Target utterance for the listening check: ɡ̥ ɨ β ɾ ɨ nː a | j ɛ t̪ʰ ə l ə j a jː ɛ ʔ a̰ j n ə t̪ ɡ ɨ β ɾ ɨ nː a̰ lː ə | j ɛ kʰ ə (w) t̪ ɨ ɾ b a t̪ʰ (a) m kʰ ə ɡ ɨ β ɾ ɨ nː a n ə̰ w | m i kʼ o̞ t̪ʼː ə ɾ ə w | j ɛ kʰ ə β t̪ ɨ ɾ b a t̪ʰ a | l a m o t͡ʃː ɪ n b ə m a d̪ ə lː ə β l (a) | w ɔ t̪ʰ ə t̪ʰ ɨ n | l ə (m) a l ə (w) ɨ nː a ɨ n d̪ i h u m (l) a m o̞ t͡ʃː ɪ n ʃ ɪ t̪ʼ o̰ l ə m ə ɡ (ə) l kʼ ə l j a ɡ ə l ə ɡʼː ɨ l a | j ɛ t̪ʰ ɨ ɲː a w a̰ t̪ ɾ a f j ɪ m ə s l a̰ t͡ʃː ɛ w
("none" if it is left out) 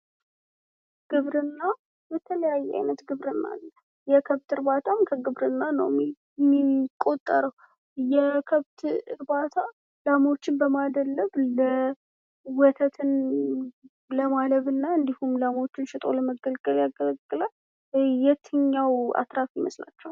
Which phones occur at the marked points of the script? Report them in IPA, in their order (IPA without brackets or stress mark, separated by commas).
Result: β, a, ə, m, β, l, ə